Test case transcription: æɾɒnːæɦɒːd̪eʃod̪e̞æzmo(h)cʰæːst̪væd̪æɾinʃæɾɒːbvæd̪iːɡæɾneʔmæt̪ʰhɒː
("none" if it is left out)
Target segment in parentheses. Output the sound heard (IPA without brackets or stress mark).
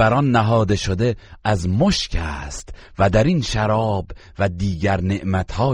ʃ